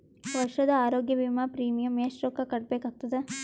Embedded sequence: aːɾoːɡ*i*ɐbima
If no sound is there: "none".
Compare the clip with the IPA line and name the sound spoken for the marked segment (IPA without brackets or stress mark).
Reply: j